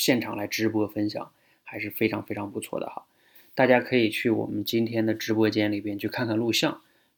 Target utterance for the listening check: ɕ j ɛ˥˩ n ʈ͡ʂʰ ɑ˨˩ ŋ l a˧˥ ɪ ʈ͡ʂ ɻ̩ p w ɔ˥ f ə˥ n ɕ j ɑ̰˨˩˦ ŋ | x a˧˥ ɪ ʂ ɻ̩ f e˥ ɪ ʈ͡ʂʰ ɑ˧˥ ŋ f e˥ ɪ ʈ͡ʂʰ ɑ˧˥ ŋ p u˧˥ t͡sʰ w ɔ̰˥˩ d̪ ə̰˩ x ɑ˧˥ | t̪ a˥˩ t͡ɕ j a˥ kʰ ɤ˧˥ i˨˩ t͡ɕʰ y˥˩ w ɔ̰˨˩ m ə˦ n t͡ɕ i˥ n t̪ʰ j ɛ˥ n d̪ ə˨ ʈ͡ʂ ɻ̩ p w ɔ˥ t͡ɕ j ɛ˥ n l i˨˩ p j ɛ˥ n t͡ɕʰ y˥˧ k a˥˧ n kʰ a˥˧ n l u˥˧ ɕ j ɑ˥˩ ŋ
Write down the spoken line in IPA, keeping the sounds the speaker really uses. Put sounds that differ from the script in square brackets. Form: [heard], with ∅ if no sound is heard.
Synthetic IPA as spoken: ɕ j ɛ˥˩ n ʈ͡ʂʰ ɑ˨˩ ŋ l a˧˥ ɪ ʈ͡ʂ ɻ̩ p w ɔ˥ f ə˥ n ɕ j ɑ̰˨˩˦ ŋ | x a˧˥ ɪ ʂ ɻ̩ f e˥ ɪ ʈ͡ʂʰ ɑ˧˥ ŋ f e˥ ɪ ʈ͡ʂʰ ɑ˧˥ ŋ p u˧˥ t͡sʰ w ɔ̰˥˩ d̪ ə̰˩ x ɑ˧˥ | t̪ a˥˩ t͡ɕ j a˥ kʰ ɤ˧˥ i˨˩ t͡ɕʰ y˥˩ w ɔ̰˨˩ m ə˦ n t͡ɕ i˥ n t̪ʰ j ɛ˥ n d̪ ə˨ ʈ͡ʂ ɻ̩ p w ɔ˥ t͡ɕ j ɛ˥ n l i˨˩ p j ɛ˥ n t͡ɕʰ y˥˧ [kʰ] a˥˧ n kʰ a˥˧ n l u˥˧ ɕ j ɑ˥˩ ŋ